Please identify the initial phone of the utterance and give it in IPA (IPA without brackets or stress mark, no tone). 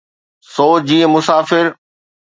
s